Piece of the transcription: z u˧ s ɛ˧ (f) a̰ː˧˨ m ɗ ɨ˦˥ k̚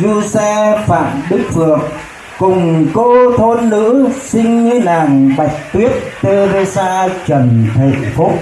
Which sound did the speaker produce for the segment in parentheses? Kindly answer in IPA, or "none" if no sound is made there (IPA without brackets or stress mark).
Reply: f